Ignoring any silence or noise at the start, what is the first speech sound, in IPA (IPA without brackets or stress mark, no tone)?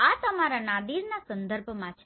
a